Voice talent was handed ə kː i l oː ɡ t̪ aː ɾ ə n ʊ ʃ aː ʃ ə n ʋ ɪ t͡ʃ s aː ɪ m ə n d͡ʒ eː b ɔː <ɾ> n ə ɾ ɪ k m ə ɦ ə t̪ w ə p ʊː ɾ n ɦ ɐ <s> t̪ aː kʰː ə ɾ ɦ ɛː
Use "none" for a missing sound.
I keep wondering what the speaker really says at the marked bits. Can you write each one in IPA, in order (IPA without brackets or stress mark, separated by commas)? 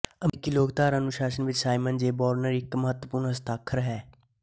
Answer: ɾ, s